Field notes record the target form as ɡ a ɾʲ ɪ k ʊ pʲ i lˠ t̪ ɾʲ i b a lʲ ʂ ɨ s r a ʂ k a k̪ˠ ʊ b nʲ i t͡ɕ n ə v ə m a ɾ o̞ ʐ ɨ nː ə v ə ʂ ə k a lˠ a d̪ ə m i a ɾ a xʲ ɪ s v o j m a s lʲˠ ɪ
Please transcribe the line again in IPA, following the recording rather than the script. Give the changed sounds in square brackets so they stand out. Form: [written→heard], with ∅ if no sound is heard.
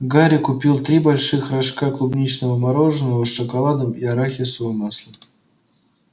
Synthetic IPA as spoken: ɡ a ɾʲ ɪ k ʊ pʲ i lˠ t̪ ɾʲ i b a lʲ ʂ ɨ [s→x] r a ʂ k a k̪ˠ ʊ b nʲ i t͡ɕ n ə v ə m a ɾ o̞ ʐ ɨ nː ə v ə ʂ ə k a lˠ a d̪ ə m i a ɾ a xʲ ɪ s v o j m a s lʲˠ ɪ